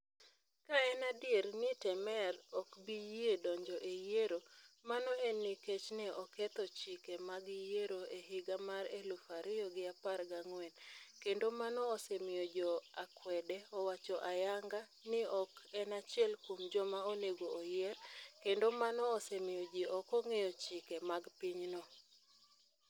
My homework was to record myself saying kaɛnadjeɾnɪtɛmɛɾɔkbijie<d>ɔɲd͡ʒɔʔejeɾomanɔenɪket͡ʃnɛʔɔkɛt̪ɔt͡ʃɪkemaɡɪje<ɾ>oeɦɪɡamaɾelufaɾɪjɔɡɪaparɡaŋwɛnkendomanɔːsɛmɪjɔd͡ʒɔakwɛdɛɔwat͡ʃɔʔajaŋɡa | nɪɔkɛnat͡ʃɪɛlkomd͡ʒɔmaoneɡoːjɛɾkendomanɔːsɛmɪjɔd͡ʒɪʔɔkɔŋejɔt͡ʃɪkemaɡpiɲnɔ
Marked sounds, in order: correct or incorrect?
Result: correct, correct

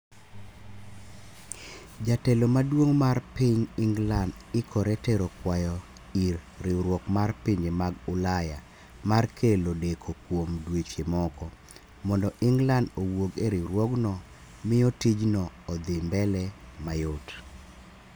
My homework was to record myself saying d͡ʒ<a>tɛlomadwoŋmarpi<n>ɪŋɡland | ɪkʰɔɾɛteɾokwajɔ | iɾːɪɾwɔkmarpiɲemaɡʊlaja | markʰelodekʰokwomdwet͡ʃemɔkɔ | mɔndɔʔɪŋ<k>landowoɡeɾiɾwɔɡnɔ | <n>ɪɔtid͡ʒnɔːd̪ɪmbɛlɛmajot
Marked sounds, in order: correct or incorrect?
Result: correct, incorrect: ɲ, incorrect: ɡ, incorrect: m

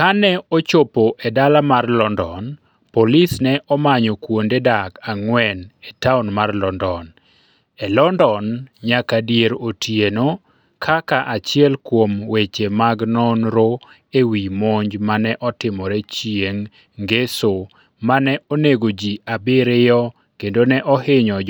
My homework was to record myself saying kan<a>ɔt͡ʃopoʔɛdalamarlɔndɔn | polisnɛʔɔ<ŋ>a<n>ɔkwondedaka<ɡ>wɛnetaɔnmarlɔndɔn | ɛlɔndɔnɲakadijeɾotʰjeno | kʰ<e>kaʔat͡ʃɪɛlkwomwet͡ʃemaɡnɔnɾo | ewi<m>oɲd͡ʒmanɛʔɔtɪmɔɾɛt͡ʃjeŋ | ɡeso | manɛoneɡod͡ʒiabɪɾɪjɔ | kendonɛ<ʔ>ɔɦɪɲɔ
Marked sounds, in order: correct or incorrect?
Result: incorrect: ɛ, incorrect: m, incorrect: ɲ, incorrect: ŋ, incorrect: a, correct, correct

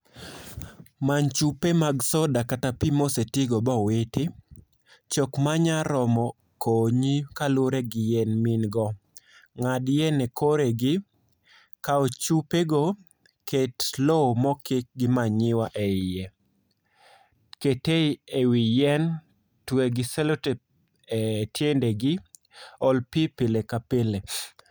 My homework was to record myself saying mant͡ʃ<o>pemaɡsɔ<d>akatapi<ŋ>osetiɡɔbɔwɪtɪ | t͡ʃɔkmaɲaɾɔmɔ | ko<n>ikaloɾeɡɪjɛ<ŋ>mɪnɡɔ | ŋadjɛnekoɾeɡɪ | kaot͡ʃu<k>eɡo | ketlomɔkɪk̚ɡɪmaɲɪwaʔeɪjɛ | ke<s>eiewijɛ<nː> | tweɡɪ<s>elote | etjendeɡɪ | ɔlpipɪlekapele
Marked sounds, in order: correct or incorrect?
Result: incorrect: u, correct, incorrect: m, incorrect: ɲ, incorrect: n, incorrect: p, incorrect: t, incorrect: n, correct

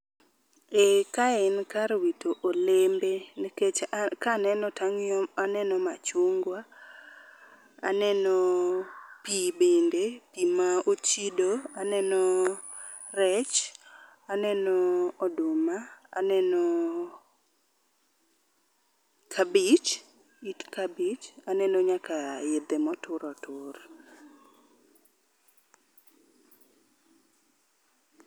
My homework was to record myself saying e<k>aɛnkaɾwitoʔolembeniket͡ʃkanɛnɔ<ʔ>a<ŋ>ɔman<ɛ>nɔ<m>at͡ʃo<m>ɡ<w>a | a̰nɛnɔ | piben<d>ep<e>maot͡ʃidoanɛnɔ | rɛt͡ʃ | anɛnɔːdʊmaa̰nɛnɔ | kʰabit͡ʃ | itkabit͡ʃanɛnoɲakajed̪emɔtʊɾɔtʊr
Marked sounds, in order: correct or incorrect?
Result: correct, incorrect: t, correct, correct, correct, incorrect: ŋ, correct, correct, incorrect: i

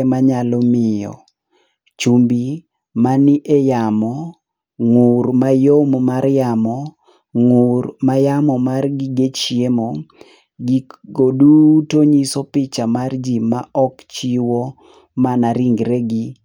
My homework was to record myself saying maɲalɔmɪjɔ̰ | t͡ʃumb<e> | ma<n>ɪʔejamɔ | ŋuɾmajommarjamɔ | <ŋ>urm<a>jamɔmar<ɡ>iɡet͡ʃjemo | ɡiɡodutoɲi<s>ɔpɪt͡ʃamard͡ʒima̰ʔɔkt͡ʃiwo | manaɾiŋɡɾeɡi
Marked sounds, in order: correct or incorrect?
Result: incorrect: i, correct, correct, correct, correct, correct

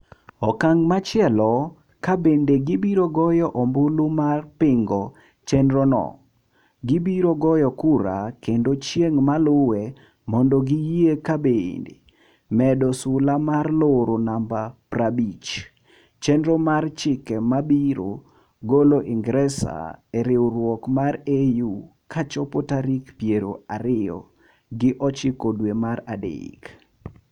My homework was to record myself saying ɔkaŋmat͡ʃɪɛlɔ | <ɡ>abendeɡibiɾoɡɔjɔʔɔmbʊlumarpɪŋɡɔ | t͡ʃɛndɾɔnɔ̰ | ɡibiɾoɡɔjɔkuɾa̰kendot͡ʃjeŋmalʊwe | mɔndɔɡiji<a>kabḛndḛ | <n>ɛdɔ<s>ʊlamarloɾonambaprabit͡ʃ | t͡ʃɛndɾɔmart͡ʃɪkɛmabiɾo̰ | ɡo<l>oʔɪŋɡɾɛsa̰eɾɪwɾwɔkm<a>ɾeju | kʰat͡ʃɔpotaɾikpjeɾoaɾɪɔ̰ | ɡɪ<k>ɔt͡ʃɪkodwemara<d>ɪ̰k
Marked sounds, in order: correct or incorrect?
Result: incorrect: k, incorrect: e, incorrect: m, correct, correct, correct, incorrect: ʔ, correct

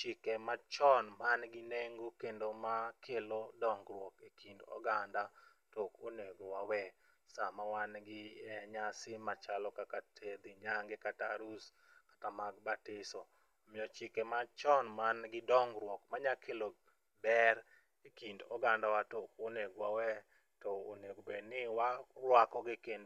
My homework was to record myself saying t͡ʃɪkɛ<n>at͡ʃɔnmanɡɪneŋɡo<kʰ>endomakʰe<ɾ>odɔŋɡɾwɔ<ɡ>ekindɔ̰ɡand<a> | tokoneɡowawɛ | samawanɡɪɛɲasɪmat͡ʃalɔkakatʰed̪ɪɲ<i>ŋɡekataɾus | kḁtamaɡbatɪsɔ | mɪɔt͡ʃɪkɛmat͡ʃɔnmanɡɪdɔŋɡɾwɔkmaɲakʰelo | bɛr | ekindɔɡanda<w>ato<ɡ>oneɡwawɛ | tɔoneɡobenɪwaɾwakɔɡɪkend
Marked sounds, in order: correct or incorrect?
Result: incorrect: m, incorrect: k, incorrect: l, incorrect: k, correct, incorrect: a, correct, incorrect: k

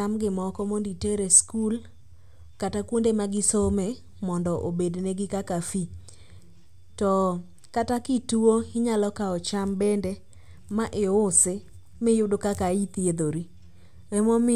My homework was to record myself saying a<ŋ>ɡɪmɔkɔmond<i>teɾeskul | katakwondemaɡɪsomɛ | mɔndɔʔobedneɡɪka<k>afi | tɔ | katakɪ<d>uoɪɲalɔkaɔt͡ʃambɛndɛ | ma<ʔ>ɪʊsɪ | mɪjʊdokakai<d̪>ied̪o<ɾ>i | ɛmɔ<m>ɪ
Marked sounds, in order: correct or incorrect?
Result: incorrect: m, correct, correct, incorrect: t, correct, incorrect: t̪, correct, correct

